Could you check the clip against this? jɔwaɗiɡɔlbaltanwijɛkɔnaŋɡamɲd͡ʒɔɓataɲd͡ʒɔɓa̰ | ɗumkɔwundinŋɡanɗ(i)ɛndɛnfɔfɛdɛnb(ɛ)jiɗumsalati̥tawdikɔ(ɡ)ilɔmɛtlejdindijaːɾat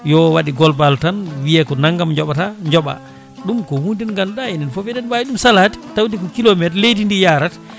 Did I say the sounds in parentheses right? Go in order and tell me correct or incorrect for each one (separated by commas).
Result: incorrect, incorrect, incorrect